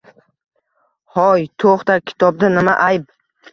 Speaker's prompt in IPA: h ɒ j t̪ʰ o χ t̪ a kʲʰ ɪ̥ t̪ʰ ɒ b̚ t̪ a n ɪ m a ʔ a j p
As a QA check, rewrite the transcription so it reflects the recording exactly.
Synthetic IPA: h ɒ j t̪ʰ o χ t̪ a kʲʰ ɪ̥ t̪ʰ ɒ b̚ d̪ a n ɪ m a ʔ a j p